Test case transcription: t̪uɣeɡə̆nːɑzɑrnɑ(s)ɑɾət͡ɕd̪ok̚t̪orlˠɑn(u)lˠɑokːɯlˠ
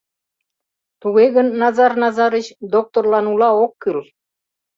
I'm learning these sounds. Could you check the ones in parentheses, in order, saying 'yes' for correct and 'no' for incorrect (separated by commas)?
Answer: no, yes